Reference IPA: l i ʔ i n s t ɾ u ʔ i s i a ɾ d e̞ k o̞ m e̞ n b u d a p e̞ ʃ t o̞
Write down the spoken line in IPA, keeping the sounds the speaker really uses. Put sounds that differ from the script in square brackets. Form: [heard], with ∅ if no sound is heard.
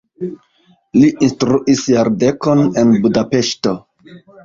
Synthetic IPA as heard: l i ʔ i n s t ɾ u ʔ i s [j] a ɾ d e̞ k o̞ [n] e̞ n b u d a p e̞ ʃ t o̞